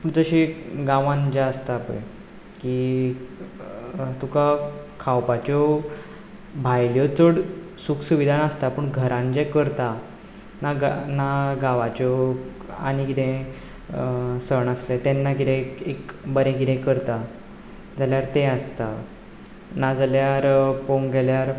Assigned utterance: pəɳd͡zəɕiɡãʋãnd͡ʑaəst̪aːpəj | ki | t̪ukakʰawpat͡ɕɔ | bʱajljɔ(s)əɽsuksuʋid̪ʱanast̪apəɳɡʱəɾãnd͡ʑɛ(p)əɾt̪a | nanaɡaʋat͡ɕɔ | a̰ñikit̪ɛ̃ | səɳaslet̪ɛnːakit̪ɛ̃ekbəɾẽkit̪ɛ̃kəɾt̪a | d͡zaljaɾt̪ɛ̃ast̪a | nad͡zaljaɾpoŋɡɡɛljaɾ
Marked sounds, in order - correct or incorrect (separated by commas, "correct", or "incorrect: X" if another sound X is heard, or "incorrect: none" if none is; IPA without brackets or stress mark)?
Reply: incorrect: t͡s, incorrect: k